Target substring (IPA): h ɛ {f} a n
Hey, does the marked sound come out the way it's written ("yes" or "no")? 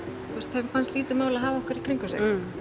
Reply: yes